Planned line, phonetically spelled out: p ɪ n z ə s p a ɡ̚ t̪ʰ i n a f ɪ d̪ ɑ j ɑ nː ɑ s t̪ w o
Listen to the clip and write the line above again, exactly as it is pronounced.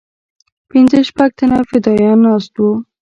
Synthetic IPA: p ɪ n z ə ʃ p a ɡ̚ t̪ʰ a n a f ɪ d̪ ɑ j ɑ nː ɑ s t̪ w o